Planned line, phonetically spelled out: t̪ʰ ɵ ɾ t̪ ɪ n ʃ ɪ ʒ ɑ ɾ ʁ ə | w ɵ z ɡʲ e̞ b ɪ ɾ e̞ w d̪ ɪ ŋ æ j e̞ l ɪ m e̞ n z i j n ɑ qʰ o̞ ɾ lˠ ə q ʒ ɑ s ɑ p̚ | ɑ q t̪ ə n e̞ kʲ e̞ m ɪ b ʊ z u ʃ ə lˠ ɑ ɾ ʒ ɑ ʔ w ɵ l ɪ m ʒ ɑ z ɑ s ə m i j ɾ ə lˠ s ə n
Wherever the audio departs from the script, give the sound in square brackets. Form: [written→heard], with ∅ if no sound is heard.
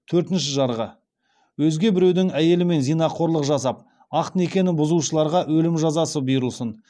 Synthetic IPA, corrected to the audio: t̪ʰ ɵ ɾ t̪ ɪ n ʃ ɪ ʒ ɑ ɾ ʁ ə | w ɵ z ɡʲ e̞ b ɪ ɾ e̞ w d̪ ɪ ŋ æ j e̞ l ɪ m e̞ n z i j n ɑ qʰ o̞ ɾ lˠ ə q ʒ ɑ s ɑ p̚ | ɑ q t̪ ə n e̞ kʲ e̞ [m→n] ɪ b ʊ z u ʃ ə lˠ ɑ ɾ [ʒ→ʁ] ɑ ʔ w ɵ l ɪ m ʒ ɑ z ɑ s ə [m→b] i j ɾ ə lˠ s ə n